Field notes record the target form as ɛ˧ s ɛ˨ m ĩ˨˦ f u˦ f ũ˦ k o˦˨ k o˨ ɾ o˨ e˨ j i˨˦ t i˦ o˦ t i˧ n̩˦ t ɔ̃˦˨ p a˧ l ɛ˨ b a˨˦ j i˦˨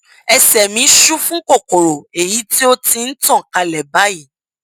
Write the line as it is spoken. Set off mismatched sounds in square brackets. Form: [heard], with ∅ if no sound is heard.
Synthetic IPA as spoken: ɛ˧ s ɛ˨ m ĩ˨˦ [ʃ] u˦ f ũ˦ k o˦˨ k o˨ ɾ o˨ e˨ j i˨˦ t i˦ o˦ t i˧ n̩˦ t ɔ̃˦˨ [k] a˧ l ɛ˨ b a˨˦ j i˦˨

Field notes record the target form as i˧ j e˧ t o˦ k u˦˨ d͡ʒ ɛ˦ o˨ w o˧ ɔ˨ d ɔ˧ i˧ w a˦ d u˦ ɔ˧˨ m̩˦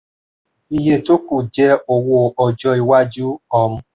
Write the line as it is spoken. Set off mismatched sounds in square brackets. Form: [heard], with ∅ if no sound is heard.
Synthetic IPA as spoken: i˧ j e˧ t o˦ k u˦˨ d͡ʒ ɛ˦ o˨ w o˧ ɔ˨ [d͡ʒ] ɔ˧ i˧ w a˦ [d͡ʒ] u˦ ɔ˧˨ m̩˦

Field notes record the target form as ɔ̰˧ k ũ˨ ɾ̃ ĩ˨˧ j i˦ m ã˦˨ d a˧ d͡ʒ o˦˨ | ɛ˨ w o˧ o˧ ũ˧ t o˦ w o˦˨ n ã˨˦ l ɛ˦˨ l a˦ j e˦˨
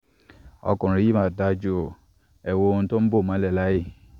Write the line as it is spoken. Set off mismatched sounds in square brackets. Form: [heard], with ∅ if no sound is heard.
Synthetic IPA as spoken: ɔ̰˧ k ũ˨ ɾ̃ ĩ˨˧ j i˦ m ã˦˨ d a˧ d͡ʒ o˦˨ | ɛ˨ w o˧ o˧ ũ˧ t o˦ [b] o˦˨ [m] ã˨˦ l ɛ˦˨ l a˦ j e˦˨

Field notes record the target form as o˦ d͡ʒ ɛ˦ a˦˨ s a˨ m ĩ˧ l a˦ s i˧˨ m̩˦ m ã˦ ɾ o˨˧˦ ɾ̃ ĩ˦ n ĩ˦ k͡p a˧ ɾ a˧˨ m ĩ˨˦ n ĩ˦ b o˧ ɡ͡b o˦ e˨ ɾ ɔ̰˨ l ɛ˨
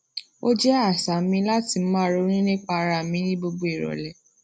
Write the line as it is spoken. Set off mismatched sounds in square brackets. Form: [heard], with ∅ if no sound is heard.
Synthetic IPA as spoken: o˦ d͡ʒ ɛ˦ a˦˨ s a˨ m ĩ˧ l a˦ [t] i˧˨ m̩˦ m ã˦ ɾ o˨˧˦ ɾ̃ ĩ˦ n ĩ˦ k͡p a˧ ɾ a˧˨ m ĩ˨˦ n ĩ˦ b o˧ ɡ͡b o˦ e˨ ɾ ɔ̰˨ l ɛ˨

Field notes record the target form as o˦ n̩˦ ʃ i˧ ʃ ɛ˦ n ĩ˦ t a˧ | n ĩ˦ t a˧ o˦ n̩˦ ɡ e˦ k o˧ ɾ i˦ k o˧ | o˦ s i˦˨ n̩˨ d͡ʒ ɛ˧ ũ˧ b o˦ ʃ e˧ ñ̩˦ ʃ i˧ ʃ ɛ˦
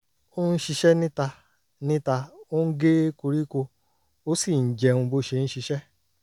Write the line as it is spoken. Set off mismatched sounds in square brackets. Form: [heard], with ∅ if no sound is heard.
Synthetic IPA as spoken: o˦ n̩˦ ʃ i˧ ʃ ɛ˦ n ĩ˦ t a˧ | n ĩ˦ t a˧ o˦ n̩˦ ɡ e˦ k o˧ ɾ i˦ k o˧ | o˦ s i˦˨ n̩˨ d͡ʒ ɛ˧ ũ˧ b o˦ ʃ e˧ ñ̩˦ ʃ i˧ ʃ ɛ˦

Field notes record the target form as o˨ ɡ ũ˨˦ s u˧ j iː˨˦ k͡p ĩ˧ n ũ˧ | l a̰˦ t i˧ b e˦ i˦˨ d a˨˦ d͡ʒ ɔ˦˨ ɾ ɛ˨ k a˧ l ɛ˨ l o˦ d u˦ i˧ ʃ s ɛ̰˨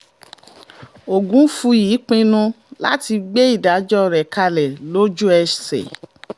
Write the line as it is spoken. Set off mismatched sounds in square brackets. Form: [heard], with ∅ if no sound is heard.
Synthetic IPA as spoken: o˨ ɡ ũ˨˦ [f] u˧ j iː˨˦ k͡p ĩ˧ n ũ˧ | l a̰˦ t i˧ [ɡ͡b] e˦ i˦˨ d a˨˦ d͡ʒ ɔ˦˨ ɾ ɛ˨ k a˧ l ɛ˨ l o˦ [d͡ʒ] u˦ [ɛ˧] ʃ s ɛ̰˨

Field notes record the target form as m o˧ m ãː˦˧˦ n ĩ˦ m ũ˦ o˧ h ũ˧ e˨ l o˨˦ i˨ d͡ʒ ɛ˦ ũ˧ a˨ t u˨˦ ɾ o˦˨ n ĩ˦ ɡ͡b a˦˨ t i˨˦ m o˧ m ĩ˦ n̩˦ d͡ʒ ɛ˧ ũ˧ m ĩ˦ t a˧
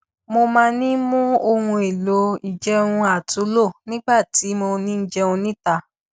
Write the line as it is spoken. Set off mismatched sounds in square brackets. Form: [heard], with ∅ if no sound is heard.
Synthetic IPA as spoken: m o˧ m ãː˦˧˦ n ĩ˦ m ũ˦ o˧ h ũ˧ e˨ l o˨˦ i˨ d͡ʒ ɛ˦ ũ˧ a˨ t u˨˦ [l] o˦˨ n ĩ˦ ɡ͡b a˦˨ t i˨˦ m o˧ [n] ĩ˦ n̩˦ d͡ʒ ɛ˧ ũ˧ [n] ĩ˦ t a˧

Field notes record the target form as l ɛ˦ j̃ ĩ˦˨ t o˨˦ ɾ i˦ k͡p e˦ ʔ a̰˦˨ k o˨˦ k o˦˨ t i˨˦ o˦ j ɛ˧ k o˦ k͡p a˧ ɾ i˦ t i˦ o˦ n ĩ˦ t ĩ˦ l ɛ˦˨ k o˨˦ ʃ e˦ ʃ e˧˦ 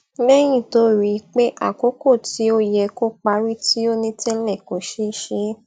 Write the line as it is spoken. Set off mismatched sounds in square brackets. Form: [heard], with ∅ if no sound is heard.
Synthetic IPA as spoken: l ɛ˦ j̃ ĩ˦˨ t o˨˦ ɾ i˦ k͡p e˦ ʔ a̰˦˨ k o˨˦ k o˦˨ t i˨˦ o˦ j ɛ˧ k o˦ k͡p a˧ ɾ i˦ t i˦ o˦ n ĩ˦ t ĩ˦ l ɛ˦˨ k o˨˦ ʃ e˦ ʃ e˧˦

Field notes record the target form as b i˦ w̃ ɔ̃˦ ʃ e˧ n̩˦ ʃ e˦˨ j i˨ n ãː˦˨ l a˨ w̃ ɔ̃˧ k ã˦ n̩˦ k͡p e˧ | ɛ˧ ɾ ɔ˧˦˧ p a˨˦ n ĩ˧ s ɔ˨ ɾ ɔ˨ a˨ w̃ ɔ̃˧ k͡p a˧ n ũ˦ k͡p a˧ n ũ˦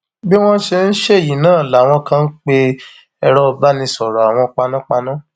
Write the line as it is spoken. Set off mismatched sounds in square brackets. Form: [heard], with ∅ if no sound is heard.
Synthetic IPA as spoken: b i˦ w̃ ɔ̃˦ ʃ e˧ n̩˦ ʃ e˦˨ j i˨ n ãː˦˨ l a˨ w̃ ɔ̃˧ k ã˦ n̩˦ k͡p e˧ | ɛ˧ ɾ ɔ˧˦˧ [b] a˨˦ n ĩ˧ s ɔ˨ ɾ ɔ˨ a˨ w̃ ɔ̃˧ k͡p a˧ n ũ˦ k͡p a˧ n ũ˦

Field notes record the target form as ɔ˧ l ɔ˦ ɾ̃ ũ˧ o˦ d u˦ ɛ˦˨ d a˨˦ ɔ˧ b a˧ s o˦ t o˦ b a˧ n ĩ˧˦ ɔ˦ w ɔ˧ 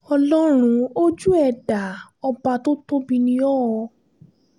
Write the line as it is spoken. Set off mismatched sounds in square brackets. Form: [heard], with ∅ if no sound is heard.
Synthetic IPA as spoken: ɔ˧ l ɔ˦ ɾ̃ ũ˧ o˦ [d͡ʒ] u˦ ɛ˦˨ d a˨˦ ɔ˧ b a˧ [t] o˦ t o˦ b [i˧] n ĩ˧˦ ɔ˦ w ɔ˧

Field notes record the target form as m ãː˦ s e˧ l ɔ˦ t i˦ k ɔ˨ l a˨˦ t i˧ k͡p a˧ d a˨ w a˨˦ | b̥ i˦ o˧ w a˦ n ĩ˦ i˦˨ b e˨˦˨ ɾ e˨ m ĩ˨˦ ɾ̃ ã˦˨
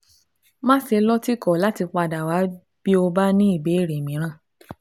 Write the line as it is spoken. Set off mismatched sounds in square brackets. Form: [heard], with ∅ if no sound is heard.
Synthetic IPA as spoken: m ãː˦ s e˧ l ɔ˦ t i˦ k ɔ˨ l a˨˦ t i˧ k͡p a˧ d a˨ w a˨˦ | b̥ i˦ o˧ [b] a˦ n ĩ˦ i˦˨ b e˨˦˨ ɾ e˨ m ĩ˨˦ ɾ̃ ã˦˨

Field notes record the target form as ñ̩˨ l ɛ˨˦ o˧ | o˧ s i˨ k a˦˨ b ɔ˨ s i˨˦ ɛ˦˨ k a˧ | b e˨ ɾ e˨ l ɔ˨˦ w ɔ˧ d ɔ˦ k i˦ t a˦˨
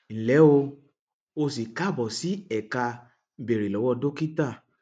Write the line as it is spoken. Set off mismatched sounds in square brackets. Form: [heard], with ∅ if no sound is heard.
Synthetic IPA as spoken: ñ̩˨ l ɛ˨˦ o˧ | o˧ s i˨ k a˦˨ b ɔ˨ s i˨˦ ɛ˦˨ k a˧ | b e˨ ɾ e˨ l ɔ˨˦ w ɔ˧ d [o˦] k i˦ t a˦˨

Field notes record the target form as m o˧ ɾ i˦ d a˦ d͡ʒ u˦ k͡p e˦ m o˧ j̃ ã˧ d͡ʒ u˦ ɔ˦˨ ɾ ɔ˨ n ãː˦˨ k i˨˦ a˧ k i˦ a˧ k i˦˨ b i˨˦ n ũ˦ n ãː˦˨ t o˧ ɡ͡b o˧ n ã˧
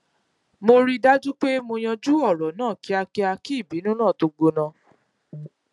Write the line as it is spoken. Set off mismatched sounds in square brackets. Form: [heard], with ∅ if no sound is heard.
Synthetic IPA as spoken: m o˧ ɾ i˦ d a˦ d͡ʒ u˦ k͡p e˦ m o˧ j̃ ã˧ d͡ʒ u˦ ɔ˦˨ ɾ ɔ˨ n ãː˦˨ k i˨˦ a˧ k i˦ a˧ k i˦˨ b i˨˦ n ũ˦ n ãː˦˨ t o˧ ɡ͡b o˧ n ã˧

